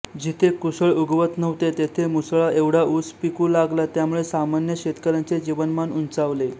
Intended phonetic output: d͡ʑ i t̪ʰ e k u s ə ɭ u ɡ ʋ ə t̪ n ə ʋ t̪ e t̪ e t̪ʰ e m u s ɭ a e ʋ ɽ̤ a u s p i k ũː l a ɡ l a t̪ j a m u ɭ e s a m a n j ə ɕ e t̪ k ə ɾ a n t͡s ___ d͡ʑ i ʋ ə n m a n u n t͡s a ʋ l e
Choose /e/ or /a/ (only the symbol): e